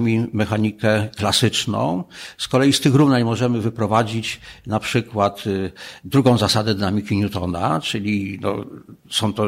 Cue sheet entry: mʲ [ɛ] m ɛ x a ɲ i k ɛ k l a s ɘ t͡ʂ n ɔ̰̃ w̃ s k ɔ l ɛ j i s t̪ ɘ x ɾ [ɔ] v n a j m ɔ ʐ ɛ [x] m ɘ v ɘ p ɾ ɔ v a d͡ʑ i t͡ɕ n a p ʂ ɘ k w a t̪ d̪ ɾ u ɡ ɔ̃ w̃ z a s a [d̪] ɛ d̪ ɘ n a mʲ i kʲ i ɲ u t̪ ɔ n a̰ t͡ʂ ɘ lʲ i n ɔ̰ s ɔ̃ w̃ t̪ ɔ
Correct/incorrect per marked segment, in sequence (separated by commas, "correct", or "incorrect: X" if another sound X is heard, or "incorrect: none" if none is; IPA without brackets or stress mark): incorrect: i, incorrect: u, incorrect: none, correct